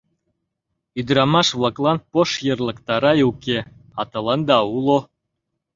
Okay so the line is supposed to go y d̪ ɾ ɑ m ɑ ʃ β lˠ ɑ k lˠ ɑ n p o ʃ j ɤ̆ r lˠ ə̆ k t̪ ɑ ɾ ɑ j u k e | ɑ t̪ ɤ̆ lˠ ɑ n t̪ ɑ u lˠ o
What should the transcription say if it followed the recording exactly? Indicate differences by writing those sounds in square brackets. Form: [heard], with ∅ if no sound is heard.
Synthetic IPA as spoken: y d̪ ɾ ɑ m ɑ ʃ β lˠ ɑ k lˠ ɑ n p o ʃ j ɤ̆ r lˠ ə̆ k t̪ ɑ ɾ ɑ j u k e | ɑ t̪ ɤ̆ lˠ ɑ n [d̪] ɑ u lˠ o